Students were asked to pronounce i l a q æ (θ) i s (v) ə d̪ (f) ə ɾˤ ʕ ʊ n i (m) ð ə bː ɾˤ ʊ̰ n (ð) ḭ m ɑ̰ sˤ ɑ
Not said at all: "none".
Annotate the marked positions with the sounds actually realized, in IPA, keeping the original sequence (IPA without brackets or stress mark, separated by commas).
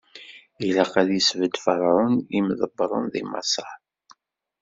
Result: ð, v, f, m, ð